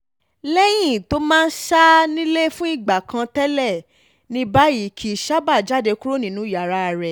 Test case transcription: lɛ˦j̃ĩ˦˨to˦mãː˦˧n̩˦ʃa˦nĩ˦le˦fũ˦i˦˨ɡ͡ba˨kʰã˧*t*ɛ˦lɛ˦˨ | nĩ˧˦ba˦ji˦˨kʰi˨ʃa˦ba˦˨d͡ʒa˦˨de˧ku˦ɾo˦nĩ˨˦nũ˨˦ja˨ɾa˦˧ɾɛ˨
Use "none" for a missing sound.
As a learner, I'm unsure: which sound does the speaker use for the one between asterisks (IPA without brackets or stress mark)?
t